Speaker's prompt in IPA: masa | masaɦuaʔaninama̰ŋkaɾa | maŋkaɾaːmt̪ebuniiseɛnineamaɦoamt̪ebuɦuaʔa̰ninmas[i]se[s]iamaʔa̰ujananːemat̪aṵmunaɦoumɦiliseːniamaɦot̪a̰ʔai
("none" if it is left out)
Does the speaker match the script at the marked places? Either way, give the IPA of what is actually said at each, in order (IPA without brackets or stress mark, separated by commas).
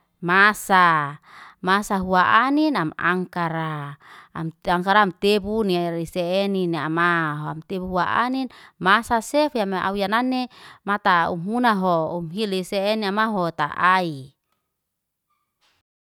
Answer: a, f